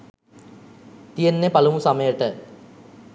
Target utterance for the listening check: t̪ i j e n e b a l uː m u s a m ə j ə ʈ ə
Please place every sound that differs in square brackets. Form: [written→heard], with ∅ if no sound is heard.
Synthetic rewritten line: t̪ i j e [n→nː] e [b→p] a l [uː→u] m u s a m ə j ə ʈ ə

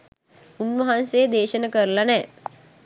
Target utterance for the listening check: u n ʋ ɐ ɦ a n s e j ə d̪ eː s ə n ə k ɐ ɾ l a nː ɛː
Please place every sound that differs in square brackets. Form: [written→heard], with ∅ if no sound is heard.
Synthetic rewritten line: u n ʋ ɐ ɦ a n s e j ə d̪ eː [s→ʃ] ə n ə k [ɐ→ə] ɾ l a [nː→n] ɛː

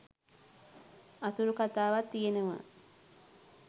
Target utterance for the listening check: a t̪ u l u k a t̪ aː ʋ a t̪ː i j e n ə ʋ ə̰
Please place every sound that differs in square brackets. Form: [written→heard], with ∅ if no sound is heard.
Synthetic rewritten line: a t̪ u [l→ɾ] u k a t̪ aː ʋ a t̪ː i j e n ə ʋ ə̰

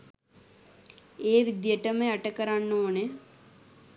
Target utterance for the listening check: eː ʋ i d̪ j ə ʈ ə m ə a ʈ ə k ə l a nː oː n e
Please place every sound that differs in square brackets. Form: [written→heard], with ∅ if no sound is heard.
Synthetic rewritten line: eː ʋ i d̪ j ə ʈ ə m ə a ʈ ə k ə [l→ɾ] a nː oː n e

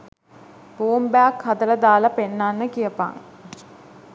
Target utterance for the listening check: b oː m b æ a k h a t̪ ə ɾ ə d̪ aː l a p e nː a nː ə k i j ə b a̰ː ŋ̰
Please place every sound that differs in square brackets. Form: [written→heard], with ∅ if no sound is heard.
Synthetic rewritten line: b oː m b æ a k h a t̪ ə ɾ ə d̪ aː l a p e nː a nː ə k i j ə [b→p] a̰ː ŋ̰

